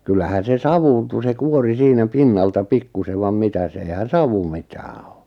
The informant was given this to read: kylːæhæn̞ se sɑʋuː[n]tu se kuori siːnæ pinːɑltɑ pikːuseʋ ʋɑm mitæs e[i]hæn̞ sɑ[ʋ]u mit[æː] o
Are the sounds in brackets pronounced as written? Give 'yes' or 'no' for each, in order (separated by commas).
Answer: yes, yes, yes, yes